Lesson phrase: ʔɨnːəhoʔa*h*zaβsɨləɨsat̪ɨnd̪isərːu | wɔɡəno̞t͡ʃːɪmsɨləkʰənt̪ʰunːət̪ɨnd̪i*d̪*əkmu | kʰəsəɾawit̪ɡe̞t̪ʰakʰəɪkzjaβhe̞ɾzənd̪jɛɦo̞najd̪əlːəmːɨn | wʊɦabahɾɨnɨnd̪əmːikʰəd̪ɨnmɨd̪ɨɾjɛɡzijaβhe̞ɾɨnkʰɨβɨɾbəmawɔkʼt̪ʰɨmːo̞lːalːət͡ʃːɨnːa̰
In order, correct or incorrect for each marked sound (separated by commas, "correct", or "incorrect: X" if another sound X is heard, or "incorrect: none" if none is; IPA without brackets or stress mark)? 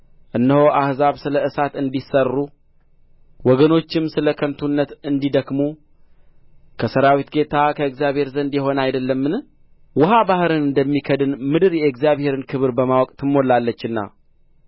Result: correct, correct